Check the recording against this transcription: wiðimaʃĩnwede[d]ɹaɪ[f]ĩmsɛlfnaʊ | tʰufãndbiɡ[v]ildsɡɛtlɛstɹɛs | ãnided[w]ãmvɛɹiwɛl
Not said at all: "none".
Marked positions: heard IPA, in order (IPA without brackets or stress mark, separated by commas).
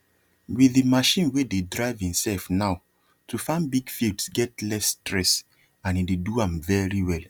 d, v, f, u